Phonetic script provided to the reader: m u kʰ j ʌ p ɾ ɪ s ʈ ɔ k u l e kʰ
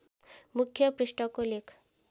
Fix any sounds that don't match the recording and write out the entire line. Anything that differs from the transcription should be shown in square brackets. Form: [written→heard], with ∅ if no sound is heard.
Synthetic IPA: m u kʰ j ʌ p ɾ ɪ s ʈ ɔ k [u→o] l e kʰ